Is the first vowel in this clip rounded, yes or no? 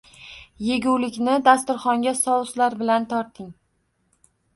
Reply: no